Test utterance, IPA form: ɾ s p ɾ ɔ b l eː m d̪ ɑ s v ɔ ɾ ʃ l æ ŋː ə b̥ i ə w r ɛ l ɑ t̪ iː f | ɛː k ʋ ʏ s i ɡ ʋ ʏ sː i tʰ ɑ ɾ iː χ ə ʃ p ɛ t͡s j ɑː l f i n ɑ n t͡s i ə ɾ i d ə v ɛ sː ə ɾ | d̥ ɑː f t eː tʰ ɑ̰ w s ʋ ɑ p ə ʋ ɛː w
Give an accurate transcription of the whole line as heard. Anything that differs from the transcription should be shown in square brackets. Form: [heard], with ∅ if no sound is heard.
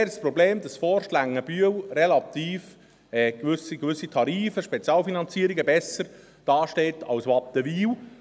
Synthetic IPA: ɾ s p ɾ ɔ b l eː m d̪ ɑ s [f] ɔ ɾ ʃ l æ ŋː ə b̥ [y] ə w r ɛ l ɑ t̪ iː f | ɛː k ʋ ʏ s i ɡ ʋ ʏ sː i tʰ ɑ ɾ iː [f] ə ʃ p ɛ t͡s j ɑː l f i n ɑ n t͡s i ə ɾ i [ɡ] ə [b] ɛ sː ə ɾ | d̥ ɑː [ʃ] t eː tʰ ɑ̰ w s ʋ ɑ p ə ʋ [iː] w

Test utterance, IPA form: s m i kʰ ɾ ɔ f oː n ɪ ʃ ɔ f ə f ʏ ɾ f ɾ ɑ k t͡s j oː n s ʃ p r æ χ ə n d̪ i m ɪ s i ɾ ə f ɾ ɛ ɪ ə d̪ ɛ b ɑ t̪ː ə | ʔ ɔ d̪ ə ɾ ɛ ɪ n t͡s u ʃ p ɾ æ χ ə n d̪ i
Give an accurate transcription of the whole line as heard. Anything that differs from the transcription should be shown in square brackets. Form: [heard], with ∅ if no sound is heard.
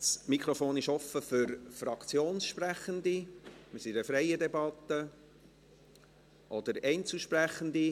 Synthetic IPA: s m i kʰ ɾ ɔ f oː n ɪ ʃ ɔ f ə f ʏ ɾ f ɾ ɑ k t͡s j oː n s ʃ p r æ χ ə n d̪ i m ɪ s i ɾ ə f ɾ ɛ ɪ ə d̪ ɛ b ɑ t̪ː ə | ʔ ɔ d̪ ə ɾ ɛ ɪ n t͡s u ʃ p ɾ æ χ ə n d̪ i

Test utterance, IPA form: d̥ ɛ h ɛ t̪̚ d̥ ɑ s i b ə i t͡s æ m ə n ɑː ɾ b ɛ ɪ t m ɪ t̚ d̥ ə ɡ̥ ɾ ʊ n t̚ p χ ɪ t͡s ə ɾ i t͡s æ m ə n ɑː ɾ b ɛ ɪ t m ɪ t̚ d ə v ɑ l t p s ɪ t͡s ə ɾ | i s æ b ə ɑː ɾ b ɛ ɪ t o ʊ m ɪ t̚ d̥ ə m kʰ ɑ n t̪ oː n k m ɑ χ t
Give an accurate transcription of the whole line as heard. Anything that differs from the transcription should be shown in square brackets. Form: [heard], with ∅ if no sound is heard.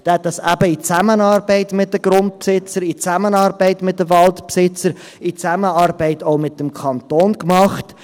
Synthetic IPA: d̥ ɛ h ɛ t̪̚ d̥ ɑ s [æ] b ə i t͡s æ m ə n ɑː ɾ b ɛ ɪ t m ɪ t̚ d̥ ə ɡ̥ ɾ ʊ n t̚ p [s] ɪ t͡s ə ɾ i t͡s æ m ə n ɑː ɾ b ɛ ɪ t m ɪ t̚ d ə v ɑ l t p s ɪ t͡s ə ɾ | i [t͡s] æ [m] ə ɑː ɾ b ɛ ɪ t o ʊ m ɪ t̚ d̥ ə m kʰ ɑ n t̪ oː n k m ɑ χ t

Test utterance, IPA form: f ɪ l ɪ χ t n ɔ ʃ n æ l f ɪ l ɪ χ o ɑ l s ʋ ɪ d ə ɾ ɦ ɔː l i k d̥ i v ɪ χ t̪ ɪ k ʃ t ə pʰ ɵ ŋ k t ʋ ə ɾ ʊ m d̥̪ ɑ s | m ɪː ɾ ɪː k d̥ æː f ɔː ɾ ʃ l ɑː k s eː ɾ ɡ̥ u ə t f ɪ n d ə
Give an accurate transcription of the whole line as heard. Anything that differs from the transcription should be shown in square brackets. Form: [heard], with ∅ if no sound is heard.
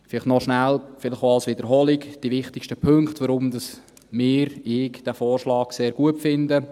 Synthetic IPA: f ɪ l ɪ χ t n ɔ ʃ n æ l f ɪ l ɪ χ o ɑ l s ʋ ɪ d ə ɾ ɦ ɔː l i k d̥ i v ɪ χ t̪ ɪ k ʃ t ə pʰ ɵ ŋ k t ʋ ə ɾ ʊ m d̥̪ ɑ s | m ɪː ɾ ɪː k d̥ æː f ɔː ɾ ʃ l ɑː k s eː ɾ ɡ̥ u ə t f ɪ n d ə

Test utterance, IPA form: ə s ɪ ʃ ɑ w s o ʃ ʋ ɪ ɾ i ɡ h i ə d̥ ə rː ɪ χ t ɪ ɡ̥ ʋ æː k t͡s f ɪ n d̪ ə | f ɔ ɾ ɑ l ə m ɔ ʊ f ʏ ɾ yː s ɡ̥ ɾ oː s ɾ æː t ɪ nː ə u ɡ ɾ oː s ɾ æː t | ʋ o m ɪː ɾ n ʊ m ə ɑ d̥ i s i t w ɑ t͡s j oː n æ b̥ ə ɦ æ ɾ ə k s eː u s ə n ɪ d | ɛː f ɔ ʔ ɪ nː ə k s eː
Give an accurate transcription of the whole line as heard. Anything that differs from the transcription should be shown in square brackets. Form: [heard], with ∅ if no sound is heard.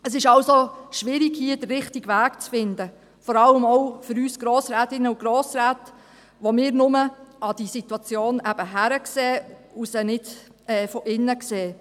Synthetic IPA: ə s ɪ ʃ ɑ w s o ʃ ʋ ɪ ɾ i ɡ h i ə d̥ ə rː ɪ χ t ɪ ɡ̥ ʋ æː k t͡s f ɪ n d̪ ə | f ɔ ɾ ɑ l ə m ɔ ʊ f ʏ ɾ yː s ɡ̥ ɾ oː s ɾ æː t ɪ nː ə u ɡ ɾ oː s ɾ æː t | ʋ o m ɪː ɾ n ʊ m ə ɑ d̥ i s i t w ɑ t͡s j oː n æ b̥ ə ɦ æ ɾ ə k s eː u s ə n ɪ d | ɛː f ɔ ʔ ɪ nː ə k s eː

